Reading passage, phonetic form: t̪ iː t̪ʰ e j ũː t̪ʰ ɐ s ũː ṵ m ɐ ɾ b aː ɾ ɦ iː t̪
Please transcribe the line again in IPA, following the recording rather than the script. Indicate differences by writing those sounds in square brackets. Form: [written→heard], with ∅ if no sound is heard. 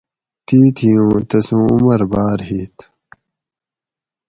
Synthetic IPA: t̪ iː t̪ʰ [e→i] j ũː [t̪ʰ→t̪] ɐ s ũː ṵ m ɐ ɾ b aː ɾ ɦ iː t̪